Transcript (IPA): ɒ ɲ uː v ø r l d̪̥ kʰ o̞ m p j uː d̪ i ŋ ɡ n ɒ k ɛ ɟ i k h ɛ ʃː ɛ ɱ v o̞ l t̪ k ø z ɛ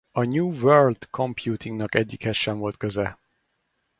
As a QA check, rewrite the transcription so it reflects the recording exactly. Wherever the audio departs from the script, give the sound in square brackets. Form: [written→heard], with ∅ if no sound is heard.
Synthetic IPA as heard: ɒ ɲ uː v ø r l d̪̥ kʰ o̞ m p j uː [d̪→t̪] i ŋ ɡ n ɒ k ɛ [ɟ→ɟː] i k h ɛ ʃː ɛ ɱ v o̞ l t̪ k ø z ɛ